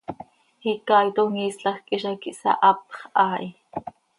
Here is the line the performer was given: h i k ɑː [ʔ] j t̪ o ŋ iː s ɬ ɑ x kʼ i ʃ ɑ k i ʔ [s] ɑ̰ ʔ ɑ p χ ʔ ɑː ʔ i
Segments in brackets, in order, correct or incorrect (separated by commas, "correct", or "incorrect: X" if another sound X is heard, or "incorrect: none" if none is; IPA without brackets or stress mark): incorrect: none, correct